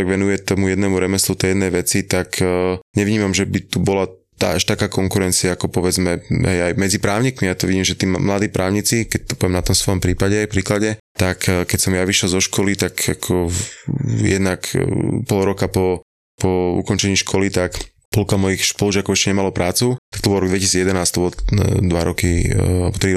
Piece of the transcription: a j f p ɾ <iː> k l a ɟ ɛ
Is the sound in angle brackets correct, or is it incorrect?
correct